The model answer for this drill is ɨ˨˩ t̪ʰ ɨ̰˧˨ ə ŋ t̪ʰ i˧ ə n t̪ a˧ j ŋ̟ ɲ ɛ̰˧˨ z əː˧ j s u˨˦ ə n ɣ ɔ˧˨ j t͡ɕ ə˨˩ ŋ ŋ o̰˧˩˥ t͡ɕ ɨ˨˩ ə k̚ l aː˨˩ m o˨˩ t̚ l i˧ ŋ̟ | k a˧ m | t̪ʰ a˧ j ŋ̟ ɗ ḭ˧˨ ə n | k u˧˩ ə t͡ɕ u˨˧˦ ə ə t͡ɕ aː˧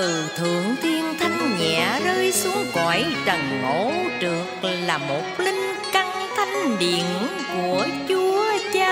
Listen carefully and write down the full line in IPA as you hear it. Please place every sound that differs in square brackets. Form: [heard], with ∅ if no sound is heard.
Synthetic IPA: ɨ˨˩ t̪ʰ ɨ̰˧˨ ə ŋ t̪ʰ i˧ ə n [t̪ʰ] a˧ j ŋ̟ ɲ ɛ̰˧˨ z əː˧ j s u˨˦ ə [ŋ] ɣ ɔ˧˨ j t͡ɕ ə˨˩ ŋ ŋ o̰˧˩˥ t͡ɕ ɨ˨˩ ə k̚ l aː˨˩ m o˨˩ t̚ l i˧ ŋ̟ | k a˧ [ŋ] | t̪ʰ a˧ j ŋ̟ ɗ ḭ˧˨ ə n | k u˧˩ ə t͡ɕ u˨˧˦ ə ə t͡ɕ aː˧